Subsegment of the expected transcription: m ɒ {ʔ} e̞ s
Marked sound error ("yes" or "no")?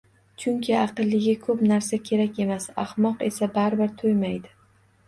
yes